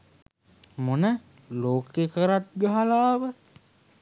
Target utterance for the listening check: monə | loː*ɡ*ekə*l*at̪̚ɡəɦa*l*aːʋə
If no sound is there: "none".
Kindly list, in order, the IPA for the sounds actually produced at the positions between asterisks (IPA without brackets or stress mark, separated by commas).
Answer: k, ɾ, l